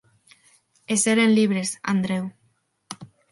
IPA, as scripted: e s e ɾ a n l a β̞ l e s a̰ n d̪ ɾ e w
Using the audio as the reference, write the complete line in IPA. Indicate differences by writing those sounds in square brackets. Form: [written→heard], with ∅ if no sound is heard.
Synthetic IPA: e s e ɾ [a→e] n l [a→i] β̞ [l→ɾ] e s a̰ n d̪ ɾ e w